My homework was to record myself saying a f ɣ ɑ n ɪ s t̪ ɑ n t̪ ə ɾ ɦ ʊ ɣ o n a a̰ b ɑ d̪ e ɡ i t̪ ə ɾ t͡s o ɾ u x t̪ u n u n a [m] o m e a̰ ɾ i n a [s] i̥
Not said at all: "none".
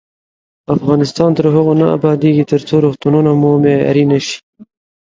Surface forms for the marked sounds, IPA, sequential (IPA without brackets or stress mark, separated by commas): m, ʃ